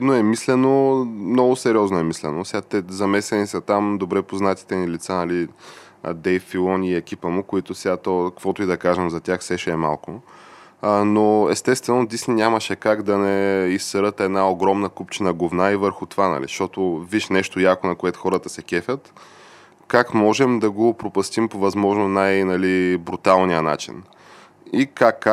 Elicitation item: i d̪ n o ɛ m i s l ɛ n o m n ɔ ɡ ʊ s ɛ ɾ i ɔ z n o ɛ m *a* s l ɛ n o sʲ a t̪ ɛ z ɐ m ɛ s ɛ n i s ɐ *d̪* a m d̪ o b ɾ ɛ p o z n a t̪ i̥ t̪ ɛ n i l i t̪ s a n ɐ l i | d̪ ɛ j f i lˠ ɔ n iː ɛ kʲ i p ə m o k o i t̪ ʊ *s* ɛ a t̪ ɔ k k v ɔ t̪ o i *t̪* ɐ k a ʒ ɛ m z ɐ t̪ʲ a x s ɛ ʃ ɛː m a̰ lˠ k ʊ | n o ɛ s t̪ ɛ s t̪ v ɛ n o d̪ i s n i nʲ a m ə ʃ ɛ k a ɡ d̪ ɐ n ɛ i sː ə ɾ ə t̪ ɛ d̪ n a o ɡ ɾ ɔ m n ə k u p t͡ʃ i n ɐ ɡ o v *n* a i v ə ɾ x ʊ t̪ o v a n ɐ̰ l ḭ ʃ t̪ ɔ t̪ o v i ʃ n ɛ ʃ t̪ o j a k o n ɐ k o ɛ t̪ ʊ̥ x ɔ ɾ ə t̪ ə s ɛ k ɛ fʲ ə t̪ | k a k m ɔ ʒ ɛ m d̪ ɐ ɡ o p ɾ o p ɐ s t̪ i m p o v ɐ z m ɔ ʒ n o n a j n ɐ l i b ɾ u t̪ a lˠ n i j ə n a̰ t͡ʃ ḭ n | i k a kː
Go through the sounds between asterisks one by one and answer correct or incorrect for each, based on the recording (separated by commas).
incorrect, incorrect, correct, incorrect, correct